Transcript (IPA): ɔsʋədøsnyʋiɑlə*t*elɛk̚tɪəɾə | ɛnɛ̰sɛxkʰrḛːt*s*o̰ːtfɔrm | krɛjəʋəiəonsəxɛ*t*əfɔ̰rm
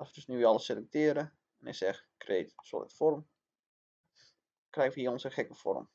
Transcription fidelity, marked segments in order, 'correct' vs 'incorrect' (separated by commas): incorrect, correct, incorrect